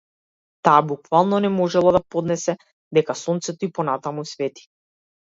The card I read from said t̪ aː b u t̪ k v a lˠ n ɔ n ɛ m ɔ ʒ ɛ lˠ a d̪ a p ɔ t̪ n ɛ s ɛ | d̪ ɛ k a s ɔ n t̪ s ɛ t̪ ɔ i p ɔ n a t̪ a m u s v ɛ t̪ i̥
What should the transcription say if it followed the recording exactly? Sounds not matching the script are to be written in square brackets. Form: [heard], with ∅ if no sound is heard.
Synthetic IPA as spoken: t̪ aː b u [∅] k v a lˠ n ɔ n ɛ m ɔ ʒ ɛ lˠ a d̪ a p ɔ [d̪] n ɛ s ɛ | d̪ ɛ k a s ɔ n t̪ s ɛ t̪ ɔ i p ɔ n a t̪ a m u s v ɛ t̪ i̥